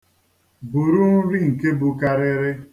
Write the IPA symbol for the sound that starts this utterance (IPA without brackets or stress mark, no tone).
b